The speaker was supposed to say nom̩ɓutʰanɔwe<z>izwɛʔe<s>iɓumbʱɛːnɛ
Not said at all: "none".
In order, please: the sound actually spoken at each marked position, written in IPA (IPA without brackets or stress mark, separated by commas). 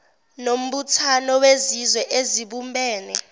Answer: z, z